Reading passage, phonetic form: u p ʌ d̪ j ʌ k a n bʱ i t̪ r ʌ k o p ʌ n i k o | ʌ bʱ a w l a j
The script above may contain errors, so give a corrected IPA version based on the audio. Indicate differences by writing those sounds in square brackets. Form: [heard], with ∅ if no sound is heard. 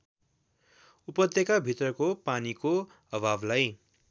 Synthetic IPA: u p ʌ d̪ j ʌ k a [∅] bʱ i t̪ r ʌ k o p [a] n i k o | ʌ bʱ a [b] l a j